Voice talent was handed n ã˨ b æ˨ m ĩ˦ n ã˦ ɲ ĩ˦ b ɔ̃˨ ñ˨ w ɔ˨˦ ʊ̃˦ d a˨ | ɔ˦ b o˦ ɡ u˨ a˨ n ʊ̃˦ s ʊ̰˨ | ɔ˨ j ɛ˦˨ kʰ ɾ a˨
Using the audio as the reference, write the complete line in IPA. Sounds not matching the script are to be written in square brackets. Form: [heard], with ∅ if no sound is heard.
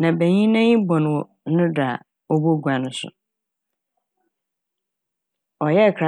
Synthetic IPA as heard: n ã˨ b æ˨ [ɲ] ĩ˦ n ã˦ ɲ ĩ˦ b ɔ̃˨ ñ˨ w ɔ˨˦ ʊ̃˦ d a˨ | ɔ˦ b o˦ ɡ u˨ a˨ n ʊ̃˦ s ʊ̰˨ | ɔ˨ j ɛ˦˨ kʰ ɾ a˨

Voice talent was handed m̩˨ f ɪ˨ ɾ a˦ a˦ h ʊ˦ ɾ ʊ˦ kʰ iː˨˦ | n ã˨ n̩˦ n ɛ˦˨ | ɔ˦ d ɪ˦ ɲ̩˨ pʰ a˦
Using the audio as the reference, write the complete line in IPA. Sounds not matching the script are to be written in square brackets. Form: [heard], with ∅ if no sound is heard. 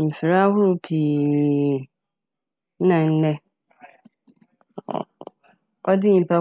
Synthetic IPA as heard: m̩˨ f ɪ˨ ɾ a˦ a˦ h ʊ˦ ɾ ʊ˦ [pʰ] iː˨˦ | n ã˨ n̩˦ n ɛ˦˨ | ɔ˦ d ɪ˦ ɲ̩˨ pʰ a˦

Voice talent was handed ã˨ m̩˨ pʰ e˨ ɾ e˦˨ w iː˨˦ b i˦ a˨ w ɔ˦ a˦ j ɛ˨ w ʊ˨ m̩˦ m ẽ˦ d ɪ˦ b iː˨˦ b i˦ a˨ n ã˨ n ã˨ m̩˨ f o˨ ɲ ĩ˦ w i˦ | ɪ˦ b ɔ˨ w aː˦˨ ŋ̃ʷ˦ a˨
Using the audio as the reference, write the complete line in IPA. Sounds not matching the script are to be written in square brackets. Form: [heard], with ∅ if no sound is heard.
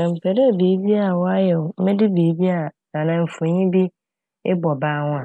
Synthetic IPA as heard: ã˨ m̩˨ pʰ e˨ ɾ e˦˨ [b] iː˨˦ b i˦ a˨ w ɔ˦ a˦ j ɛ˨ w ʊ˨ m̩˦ m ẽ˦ d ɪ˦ b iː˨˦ b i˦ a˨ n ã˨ n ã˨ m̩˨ f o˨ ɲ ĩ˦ [b] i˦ | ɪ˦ b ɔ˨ [b] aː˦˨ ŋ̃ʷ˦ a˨

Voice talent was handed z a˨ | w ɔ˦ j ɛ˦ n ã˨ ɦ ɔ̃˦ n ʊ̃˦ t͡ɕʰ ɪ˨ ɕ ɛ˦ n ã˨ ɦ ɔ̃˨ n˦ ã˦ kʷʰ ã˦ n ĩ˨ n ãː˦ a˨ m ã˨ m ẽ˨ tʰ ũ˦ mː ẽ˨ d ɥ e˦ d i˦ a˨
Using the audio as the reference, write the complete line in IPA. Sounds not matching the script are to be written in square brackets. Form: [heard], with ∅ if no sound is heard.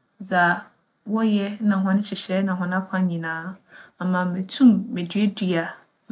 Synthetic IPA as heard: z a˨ | w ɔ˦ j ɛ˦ n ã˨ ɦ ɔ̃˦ n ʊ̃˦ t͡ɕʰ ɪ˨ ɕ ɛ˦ n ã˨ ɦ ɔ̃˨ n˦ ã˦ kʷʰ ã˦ [ɲ] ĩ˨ n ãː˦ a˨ m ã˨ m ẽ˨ tʰ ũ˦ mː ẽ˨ d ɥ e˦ d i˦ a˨

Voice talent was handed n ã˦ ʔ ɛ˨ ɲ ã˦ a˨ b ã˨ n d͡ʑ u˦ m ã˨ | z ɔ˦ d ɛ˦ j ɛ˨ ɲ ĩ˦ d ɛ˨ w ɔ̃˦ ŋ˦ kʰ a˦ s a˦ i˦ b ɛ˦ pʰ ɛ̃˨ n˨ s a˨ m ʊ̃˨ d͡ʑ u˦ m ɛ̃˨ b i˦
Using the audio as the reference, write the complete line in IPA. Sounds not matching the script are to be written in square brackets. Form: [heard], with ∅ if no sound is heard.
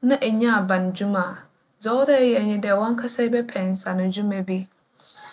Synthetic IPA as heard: n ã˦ ʔ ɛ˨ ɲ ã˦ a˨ b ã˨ n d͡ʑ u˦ m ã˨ | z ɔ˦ d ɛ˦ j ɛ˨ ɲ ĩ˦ d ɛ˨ w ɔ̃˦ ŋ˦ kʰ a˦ s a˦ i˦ b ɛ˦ pʰ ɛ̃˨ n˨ s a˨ [n] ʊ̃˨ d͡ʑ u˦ m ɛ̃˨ b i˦

